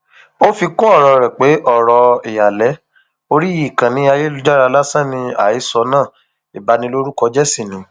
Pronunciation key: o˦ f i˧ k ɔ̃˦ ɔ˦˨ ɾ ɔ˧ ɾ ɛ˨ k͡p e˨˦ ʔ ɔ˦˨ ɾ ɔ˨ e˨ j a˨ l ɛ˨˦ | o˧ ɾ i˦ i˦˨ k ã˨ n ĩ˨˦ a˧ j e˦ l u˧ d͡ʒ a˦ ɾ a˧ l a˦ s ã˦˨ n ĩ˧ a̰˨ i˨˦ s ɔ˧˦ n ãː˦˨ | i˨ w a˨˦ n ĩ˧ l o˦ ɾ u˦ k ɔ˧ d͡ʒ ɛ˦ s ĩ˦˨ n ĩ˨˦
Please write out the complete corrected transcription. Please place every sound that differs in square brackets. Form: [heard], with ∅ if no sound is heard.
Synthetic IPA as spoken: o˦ f i˧ k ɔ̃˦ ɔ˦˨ ɾ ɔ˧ ɾ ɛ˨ k͡p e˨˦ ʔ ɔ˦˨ ɾ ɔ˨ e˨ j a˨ l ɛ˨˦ | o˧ ɾ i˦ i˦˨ k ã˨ n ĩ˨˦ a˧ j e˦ l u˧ d͡ʒ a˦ ɾ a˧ l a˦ s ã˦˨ n ĩ˧ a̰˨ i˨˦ s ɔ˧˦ n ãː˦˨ | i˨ [b] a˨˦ n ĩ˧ l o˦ ɾ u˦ k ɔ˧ d͡ʒ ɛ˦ s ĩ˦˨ n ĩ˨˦